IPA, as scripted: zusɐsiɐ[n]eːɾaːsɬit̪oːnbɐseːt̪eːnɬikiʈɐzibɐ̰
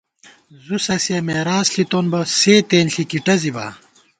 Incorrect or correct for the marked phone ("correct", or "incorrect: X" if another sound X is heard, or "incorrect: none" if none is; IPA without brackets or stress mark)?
incorrect: m